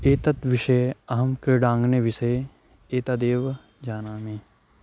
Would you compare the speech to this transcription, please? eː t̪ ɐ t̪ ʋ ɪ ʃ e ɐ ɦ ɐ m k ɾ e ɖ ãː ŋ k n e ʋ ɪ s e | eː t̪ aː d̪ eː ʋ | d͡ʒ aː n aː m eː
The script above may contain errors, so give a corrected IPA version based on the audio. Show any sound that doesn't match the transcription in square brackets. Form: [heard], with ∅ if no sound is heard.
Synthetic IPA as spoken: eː t̪ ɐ t̪ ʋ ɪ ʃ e ɐ ɦ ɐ m k ɾ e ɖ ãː ŋ [ɡ] n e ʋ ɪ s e | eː t̪ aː d̪ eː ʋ | d͡ʒ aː n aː m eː